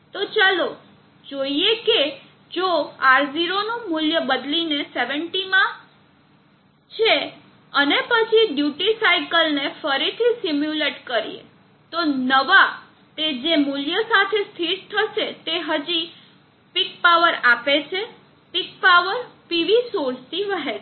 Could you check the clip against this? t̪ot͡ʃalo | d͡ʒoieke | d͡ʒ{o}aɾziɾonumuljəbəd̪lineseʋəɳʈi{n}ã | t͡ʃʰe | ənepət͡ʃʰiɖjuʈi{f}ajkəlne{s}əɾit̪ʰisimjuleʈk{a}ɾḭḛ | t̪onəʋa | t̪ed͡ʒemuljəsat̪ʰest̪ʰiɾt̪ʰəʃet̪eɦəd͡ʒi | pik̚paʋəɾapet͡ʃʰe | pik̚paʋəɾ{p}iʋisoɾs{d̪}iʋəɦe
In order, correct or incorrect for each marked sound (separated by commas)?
correct, incorrect, incorrect, incorrect, incorrect, correct, incorrect